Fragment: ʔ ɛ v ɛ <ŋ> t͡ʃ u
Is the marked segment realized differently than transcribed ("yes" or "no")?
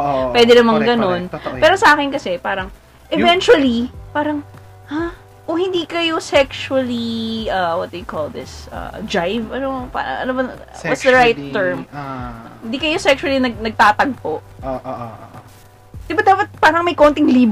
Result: yes